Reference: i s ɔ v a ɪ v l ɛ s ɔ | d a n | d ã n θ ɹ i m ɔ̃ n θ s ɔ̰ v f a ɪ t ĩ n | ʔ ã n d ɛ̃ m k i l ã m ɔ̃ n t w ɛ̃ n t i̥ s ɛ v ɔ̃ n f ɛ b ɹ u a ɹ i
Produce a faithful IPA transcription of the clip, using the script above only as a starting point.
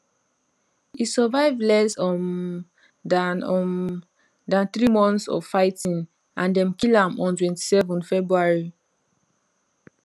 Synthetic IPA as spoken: i s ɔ v a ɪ v l ɛ s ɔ | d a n | d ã n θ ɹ i m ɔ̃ n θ s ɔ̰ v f a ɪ t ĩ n | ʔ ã n d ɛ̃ m k i l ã m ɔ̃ n t w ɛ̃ n t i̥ s ɛ v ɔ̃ n f ɛ b ɹ u a ɹ i